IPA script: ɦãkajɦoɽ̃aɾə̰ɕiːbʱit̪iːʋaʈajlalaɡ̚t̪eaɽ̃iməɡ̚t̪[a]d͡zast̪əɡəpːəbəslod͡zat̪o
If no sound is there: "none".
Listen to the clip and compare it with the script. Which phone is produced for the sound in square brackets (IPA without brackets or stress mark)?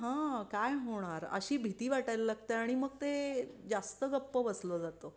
e